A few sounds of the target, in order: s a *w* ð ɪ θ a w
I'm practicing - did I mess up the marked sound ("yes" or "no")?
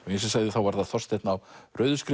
yes